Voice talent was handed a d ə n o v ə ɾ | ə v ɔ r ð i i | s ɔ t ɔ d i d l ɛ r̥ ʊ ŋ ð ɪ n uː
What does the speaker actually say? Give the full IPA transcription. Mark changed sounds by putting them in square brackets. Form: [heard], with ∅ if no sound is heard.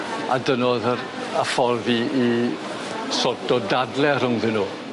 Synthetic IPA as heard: a d ə n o [ð] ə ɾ | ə [f] ɔ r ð i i | s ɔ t ɔ d [a] d l ɛ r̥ ʊ ŋ ð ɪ n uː